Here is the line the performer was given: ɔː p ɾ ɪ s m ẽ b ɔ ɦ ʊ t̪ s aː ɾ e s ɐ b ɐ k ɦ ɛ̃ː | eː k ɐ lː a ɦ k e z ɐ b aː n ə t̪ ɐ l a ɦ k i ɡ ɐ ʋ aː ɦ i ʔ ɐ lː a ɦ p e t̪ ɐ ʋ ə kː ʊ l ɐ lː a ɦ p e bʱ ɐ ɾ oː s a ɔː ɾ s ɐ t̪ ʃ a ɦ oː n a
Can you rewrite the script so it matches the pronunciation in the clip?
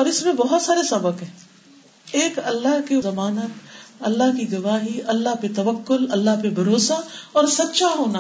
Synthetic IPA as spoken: ɔː ɾ ɪ s m ẽ b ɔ ɦ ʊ t̪ s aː ɾ e s ɐ b ə k ɦ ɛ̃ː | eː k ɐ lː a ɦ k e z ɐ m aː n ə t̪ ɐ lː a ɦ k i ɡ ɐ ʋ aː ɦ i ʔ ɐ lː a ɦ p e t̪ ɐ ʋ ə kː ʊ l ɐ lː a ɦ p e bʱ ɐ ɾ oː s a ɔː ɾ s ɐ t̪ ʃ a ɦ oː n a